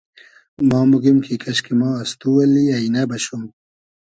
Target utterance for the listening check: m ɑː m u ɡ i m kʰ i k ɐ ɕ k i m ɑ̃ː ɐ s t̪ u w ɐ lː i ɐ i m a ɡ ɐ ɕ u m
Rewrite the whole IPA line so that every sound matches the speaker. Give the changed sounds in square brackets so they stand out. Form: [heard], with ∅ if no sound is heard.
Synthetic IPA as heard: m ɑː m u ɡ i m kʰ i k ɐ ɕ k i m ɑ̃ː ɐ s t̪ u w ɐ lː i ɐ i [n] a [b] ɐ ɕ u m